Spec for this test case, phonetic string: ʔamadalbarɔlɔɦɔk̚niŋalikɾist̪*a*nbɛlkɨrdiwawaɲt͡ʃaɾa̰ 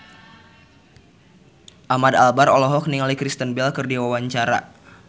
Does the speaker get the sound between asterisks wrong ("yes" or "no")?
yes